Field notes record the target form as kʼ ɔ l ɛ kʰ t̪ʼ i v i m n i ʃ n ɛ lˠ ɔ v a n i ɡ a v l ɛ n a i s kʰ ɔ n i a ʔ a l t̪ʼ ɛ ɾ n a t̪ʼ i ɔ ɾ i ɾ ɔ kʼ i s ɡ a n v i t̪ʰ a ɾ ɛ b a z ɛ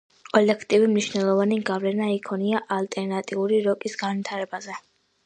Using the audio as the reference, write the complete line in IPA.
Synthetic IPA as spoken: kʼ ɔ l ɛ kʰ t̪ʼ i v i m n i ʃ n ɛ lˠ ɔ v a n i ɡ a v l ɛ n a i kʰ ɔ n i a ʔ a l t̪ʼ ɛ ɾ n a t̪ʼ i u ɾ i ɾ ɔ kʼ i s ɡ a n v i t̪ʰ a ɾ ɛ b a z ɛ